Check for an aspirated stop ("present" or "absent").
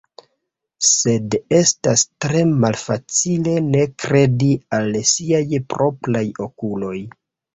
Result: absent